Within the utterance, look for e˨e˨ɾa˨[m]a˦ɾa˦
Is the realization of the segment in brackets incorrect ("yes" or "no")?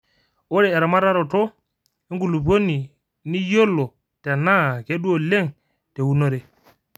no